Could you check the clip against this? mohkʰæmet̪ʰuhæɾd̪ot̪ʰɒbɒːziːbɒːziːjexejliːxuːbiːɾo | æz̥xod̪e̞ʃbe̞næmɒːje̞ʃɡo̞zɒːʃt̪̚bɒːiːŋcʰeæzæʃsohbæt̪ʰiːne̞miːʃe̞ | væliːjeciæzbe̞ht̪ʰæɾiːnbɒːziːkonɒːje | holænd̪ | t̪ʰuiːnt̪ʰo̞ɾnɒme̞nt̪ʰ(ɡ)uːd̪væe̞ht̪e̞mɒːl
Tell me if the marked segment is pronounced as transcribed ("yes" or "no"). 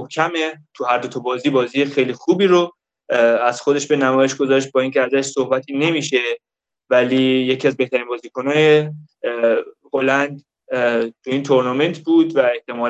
no